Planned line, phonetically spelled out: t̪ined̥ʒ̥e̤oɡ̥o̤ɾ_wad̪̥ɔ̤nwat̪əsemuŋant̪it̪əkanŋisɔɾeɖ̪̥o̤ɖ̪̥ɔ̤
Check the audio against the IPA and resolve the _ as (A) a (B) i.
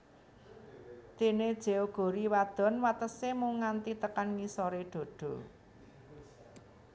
B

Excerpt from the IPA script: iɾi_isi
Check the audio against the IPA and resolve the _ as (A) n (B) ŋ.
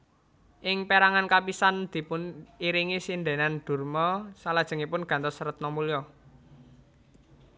B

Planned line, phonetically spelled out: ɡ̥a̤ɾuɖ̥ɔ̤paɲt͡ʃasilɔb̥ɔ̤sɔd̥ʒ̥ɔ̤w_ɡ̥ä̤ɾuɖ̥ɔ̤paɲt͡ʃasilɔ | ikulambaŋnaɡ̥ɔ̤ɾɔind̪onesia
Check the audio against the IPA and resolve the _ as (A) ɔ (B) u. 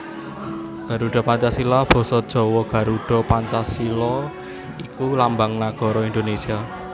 A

